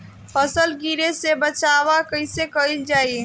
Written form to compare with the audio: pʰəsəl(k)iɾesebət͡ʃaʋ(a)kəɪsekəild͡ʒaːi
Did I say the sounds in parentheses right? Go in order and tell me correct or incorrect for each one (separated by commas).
incorrect, correct